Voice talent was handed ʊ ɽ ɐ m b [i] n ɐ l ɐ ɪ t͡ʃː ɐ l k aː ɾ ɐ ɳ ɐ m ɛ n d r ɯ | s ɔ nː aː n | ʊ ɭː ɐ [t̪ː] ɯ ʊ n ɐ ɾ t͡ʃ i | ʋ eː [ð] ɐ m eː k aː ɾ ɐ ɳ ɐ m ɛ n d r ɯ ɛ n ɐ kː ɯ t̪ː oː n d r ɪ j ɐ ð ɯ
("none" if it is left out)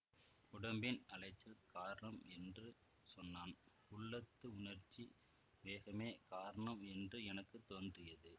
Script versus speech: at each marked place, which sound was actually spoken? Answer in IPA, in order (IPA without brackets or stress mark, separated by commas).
ɪ, t̪ː, ɣ